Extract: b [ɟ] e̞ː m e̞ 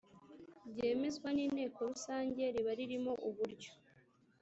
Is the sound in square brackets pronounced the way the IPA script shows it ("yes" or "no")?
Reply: yes